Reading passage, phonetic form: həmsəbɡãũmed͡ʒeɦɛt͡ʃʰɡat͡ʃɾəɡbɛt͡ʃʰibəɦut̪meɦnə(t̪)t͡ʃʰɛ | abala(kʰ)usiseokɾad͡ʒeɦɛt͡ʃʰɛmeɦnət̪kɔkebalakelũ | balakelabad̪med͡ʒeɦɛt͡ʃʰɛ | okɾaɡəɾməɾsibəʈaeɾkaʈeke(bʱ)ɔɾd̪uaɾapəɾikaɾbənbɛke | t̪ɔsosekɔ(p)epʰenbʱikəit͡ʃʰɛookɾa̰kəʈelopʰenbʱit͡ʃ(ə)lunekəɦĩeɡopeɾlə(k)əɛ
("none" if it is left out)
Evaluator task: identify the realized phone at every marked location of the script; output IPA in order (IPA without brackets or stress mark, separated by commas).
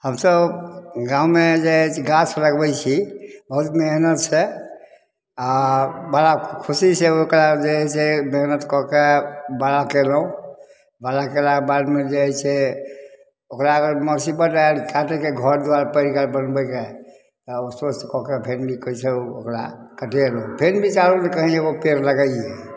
t̪, kʰ, ɡʱ, k, a, ɡ